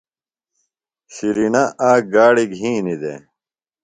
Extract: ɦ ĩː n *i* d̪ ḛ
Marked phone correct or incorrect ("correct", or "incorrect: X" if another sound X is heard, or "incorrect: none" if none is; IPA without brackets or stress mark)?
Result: correct